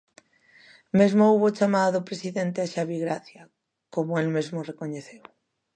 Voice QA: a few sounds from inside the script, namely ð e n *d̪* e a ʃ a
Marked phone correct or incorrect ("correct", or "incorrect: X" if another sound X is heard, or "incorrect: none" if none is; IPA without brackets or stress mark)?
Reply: incorrect: t̪